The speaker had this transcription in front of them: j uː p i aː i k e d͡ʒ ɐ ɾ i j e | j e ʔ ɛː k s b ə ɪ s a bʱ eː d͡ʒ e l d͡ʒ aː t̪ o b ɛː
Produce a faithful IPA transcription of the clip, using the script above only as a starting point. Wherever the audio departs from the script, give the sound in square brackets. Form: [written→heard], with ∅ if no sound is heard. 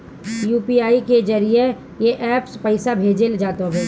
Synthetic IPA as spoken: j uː p i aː i k e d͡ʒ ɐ ɾ i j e | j e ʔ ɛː [k→p] s [b→p] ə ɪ s a bʱ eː d͡ʒ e l d͡ʒ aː t̪ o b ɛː